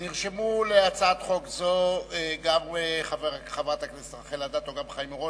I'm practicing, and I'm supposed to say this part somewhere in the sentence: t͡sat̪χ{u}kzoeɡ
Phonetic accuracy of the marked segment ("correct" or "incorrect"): incorrect